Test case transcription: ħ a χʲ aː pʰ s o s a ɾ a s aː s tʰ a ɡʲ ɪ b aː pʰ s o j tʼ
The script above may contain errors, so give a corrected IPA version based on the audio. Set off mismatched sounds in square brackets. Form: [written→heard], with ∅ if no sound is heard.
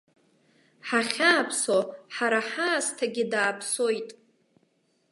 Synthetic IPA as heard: ħ a χʲ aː pʰ s o [s→ħ] a ɾ a [s→ħ] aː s tʰ a ɡʲ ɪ [b→d] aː pʰ s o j tʼ